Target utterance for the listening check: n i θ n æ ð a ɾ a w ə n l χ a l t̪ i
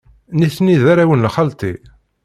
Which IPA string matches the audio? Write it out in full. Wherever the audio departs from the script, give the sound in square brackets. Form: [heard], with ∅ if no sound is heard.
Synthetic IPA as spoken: n i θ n [i] ð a ɾ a w ə n l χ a l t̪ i